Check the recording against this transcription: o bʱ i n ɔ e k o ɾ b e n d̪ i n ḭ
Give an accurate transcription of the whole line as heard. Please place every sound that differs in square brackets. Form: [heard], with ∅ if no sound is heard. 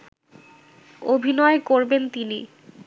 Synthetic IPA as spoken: o bʱ i n ɔ e k o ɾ b e n [t̪] i n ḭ